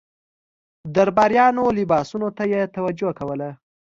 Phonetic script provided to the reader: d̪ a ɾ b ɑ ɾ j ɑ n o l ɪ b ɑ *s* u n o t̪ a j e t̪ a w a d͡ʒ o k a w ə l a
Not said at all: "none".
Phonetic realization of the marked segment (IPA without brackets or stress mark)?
s